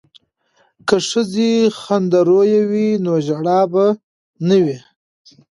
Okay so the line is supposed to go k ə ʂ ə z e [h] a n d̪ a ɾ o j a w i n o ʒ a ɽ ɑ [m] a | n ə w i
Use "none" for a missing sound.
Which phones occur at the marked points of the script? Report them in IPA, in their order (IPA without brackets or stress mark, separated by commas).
x, b